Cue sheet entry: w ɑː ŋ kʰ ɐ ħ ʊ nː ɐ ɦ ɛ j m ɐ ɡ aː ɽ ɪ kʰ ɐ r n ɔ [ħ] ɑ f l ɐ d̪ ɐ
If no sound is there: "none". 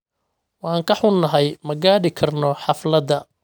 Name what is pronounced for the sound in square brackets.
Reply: ħ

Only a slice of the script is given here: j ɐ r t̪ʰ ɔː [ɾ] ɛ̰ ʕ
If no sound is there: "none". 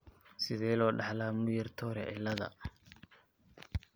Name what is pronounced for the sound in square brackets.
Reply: ɾ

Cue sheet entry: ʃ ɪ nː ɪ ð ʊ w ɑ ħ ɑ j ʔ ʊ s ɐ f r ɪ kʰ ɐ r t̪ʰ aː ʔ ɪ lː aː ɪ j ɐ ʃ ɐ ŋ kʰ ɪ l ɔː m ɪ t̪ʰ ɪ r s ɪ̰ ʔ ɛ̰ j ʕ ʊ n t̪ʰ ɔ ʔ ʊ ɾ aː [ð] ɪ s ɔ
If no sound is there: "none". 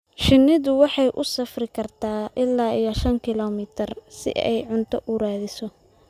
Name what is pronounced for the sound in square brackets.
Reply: ð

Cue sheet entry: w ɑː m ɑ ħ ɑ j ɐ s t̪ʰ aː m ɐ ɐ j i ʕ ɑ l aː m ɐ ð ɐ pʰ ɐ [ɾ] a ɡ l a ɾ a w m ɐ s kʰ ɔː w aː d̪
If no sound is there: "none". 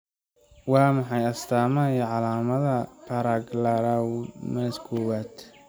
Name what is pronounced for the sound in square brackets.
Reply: ɾ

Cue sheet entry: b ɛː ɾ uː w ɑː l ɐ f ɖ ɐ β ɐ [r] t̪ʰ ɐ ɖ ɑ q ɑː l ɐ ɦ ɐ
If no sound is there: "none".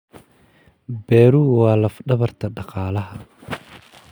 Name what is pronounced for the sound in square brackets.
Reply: r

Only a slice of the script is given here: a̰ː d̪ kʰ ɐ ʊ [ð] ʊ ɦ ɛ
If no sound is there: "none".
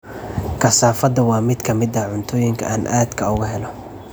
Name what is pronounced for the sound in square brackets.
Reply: ɣ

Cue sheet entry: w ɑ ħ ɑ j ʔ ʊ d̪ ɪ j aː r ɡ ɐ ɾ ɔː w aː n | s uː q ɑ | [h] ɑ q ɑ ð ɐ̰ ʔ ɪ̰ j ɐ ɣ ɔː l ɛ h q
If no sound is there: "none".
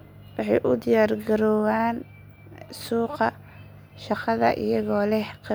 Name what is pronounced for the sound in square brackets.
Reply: ʃ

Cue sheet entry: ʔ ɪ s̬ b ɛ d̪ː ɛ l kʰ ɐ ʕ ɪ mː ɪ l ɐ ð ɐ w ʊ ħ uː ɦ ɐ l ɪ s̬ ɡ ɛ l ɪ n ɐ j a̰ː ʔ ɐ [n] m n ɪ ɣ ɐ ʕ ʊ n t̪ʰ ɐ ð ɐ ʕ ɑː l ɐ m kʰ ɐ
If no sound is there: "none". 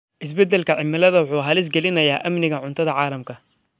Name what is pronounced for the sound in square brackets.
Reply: none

